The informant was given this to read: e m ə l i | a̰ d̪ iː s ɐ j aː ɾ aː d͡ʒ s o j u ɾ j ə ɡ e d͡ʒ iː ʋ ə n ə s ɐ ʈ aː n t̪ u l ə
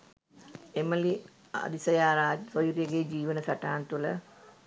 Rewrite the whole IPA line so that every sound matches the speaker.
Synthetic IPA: e m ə l i | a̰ d̪ i s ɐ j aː ɾ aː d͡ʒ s o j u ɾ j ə ɡ e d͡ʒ iː ʋ ə n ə s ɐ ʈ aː n t̪ u l ə